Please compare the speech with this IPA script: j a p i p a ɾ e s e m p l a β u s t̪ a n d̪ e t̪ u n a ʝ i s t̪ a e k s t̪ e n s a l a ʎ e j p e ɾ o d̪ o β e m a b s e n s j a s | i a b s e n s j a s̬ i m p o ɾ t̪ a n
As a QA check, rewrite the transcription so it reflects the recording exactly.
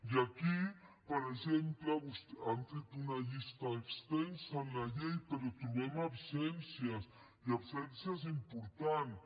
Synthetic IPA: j a k i p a ɾ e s e m p l a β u s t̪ a n t̪ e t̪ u n a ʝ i s t̪ a e k s t̪ e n s a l a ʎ e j p e ɾ o t̪ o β e m a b s e n s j a s | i a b s e n s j a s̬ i m p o ɾ t̪ a n